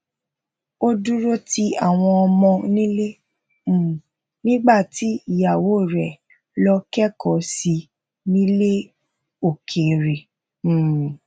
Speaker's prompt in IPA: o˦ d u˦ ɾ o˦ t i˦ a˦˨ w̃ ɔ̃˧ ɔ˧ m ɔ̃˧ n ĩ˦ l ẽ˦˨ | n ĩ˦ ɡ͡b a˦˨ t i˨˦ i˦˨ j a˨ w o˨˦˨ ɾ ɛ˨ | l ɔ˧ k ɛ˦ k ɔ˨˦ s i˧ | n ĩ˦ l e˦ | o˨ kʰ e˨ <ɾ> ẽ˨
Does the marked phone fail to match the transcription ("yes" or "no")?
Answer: no